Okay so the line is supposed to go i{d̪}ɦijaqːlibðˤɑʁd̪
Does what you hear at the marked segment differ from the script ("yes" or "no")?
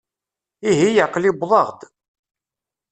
yes